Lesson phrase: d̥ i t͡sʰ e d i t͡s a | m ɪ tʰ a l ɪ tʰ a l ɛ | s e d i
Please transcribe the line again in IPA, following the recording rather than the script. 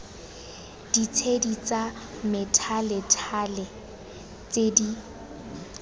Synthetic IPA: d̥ i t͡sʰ e d i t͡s a | m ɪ tʰ a l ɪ tʰ a l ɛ | t͡s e d i